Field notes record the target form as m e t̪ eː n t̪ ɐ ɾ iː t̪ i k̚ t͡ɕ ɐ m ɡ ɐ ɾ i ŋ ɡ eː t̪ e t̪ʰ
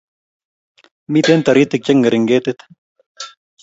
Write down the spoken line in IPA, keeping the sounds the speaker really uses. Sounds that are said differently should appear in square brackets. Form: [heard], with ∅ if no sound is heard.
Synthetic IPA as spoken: m [i] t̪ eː n t̪ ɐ ɾ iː t̪ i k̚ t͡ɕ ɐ [ŋ] ɡ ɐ ɾ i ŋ ɡ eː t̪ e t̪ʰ